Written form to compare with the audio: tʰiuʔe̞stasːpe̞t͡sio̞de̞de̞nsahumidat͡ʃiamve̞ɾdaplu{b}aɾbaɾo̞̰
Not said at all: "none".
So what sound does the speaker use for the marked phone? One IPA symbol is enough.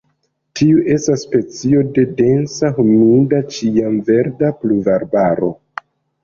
v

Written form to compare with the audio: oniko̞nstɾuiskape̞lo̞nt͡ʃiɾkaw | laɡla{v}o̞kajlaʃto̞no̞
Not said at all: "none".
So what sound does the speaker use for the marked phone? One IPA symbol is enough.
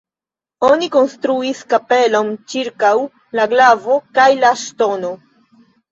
v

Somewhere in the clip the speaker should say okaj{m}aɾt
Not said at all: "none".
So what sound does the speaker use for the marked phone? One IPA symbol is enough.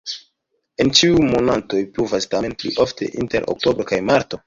m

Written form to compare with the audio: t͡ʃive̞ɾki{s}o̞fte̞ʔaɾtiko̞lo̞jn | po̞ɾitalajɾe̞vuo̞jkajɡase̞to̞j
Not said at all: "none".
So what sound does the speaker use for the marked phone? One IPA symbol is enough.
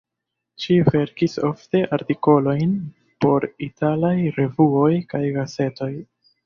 s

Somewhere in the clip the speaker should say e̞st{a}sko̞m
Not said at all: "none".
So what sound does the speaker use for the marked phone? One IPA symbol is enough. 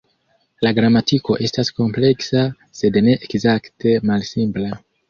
a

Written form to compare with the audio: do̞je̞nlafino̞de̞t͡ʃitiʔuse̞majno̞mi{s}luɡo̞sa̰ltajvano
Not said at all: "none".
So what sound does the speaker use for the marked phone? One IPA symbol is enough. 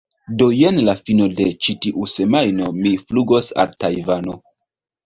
f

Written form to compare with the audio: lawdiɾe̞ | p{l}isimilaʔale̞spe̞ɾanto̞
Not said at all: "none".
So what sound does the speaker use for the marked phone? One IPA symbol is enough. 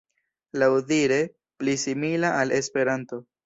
l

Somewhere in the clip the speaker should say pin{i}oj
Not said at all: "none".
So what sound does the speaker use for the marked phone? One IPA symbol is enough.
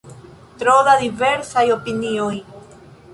i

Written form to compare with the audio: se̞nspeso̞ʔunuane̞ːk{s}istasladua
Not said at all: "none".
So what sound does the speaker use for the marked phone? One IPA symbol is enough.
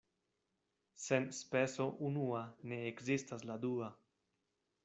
z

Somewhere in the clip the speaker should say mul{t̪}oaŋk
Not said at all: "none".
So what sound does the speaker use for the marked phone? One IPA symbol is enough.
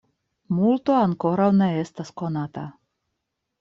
t̪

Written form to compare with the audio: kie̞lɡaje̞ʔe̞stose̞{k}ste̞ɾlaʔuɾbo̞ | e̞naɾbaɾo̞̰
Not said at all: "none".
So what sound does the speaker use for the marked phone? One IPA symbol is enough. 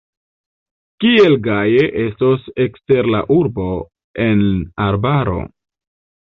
k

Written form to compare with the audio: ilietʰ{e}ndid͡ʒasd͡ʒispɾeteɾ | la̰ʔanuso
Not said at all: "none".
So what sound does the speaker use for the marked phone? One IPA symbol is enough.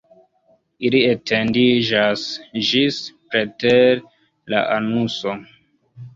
e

